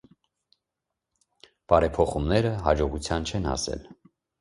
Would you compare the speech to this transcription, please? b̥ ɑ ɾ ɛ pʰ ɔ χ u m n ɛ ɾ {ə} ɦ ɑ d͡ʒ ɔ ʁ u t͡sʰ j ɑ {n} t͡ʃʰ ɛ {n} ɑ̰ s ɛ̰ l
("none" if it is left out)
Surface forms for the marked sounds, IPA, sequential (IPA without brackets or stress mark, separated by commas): ə, n, n